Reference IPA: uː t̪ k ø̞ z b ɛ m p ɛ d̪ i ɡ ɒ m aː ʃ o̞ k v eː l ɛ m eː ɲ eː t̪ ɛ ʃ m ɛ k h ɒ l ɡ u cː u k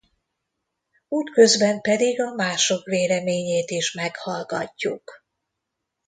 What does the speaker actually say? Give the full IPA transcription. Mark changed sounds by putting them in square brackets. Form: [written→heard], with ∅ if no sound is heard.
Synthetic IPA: uː t̪ k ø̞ z b ɛ m p ɛ d̪ i ɡ ɒ m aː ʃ o̞ k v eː l ɛ m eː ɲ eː t̪ [ɛ→i] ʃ m ɛ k h ɒ l ɡ [u→ɒ] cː u k